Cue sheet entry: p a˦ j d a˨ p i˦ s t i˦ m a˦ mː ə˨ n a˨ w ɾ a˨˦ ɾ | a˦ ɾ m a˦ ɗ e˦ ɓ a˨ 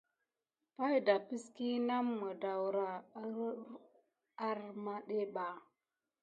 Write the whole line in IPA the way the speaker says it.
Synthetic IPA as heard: p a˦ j d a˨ p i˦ s k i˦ n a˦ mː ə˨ d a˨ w ɾ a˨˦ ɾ | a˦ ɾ m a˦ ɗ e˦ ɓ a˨